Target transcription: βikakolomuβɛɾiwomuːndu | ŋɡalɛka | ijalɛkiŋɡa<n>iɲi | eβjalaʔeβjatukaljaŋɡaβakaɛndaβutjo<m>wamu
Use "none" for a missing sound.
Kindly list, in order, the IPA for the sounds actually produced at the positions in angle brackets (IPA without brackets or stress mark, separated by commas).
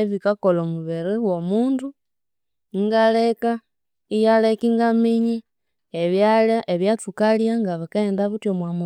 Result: m, m